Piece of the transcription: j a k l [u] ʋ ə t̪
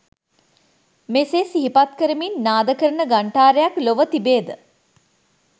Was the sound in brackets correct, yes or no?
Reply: no